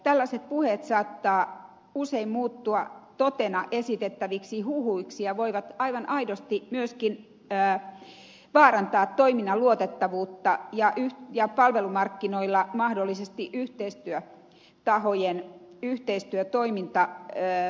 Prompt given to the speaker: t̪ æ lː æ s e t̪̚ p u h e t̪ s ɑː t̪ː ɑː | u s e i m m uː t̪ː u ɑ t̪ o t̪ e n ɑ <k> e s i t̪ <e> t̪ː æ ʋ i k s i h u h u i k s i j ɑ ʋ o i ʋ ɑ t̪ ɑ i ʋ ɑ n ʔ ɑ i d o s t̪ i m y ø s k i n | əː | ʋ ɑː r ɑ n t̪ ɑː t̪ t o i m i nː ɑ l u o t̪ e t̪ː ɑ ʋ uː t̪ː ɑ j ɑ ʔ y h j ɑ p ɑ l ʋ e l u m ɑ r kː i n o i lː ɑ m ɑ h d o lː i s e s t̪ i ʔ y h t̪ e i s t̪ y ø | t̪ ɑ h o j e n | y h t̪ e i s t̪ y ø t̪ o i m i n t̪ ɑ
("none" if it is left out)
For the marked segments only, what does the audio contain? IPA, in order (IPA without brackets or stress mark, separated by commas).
ʔ, e